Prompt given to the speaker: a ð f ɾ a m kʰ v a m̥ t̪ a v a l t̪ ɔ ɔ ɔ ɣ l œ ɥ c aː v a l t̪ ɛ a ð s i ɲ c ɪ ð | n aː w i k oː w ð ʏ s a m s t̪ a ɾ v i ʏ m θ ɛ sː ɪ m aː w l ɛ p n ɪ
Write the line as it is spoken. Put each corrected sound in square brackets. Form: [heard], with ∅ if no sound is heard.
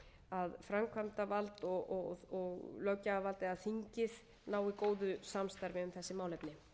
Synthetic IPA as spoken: a ð f ɾ a m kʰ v a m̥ t̪ a v a l t̪ ɔ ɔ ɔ ɣ l œ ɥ c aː v a l t̪ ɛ a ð [θ] i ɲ c ɪ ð | n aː w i k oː w ð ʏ s a m s t̪ a ɾ v [ɪ] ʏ m θ ɛ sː ɪ m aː w l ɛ p n ɪ